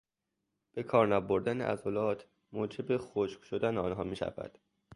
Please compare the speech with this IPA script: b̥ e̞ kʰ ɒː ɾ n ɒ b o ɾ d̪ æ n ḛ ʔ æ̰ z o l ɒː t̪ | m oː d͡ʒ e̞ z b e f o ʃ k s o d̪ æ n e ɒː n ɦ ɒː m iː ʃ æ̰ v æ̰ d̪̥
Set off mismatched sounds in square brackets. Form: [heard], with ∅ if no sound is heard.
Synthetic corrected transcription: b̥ e̞ kʰ ɒː ɾ n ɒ b o ɾ d̪ æ n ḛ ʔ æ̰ z o l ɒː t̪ | m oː d͡ʒ e̞ [∅] b e [x] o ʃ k [ʃ] o d̪ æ n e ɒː n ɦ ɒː m iː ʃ æ̰ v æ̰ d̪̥

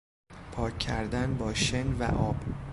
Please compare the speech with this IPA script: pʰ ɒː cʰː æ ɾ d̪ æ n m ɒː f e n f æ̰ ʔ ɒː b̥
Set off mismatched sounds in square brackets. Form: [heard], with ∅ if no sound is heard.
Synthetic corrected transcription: pʰ ɒː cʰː æ ɾ d̪ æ n [b] ɒː [ʃ] e n [v] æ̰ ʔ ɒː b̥

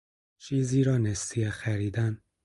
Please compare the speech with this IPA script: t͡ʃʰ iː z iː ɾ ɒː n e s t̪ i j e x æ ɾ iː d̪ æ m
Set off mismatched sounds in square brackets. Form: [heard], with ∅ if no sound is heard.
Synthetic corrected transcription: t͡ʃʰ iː z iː ɾ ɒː n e s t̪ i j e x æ ɾ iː d̪ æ [n]

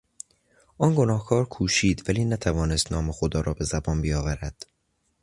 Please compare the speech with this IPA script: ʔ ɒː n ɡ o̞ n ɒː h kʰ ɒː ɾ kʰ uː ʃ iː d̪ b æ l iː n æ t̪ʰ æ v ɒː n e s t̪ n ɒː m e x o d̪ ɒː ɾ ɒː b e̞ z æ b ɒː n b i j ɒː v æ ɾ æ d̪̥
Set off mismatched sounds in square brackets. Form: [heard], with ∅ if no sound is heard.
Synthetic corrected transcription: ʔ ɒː n ɡ o̞ n ɒː h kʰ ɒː ɾ kʰ uː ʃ iː d̪ [v] æ l iː n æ t̪ʰ æ v ɒː n e s t̪ n ɒː m e x o d̪ ɒː ɾ ɒː b e̞ z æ b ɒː n b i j ɒː v æ ɾ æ d̪̥

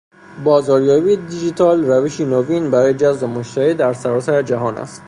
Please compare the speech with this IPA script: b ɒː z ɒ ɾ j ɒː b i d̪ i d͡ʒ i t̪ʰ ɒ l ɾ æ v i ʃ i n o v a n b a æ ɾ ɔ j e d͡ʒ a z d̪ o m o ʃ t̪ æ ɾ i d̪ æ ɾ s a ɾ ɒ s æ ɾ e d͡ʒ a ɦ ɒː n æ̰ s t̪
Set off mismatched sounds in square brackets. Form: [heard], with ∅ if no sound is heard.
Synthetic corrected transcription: b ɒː z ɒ ɾ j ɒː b i d̪ i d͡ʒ i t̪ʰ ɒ l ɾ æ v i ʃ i n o v [i] n b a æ ɾ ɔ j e d͡ʒ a z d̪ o m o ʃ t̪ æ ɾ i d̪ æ ɾ s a ɾ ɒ s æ ɾ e d͡ʒ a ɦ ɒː n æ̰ s t̪

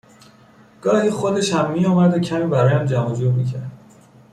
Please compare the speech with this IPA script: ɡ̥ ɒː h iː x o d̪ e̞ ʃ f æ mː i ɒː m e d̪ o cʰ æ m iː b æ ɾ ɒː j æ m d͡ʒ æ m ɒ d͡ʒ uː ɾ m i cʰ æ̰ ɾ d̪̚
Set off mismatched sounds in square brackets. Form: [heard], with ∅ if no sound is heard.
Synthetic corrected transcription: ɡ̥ ɒː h iː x o d̪ e̞ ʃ [h] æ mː i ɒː m [æ] d̪ o cʰ æ m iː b æ ɾ ɒː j æ m d͡ʒ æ m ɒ d͡ʒ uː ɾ m i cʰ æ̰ ɾ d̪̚

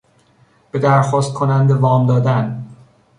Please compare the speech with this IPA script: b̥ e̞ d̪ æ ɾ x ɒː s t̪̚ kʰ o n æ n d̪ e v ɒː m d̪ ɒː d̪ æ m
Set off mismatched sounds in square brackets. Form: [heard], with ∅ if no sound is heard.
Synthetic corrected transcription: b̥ e̞ d̪ æ ɾ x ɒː s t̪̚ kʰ o n æ n d̪ e v ɒː m d̪ ɒː d̪ æ [n]

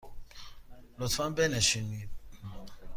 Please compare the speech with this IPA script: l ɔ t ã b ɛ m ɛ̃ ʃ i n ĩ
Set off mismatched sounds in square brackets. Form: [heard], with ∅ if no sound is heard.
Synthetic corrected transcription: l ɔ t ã b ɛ [n] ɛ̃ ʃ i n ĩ

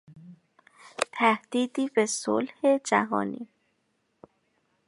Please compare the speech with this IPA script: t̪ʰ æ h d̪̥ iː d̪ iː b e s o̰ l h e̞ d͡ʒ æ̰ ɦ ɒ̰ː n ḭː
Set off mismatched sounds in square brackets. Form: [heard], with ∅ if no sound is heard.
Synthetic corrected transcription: t̪ʰ æ h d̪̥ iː d̪ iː b e s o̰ l h e̞ d͡ʒ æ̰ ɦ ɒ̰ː n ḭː

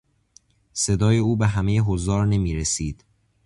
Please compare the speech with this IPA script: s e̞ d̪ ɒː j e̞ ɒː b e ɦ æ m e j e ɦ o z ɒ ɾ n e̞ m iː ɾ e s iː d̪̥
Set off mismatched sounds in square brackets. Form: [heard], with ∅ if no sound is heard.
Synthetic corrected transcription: s e̞ d̪ ɒː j e̞ [uː] b e ɦ æ m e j e ɦ o z [ɒː] ɾ n e̞ m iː ɾ e s iː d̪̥

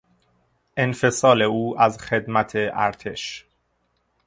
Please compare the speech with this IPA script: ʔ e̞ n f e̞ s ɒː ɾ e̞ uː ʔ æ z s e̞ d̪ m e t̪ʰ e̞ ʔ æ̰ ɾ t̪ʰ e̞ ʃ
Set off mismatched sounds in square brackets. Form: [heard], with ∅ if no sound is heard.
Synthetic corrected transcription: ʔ e̞ n f e̞ s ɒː [l] e̞ uː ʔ æ z [x] e̞ d̪ m [æ] t̪ʰ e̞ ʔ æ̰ ɾ t̪ʰ e̞ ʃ

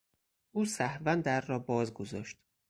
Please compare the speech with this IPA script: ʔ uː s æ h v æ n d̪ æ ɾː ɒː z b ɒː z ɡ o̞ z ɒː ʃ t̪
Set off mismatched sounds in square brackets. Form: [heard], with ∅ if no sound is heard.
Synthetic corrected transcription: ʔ uː s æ h v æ n d̪ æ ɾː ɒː [∅] b ɒː z ɡ o̞ z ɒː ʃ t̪

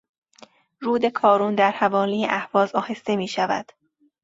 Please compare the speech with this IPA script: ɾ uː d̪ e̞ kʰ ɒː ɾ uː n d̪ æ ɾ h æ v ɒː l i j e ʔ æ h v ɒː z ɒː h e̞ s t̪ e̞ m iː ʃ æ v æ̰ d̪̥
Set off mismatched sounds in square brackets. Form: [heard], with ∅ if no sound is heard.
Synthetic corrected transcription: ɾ uː d̪ e̞ kʰ ɒː ɾ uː n d̪ æ ɾ h æ v ɒː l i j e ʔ æ h v ɒː z ɒː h e̞ s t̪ e̞ m iː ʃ æ v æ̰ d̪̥

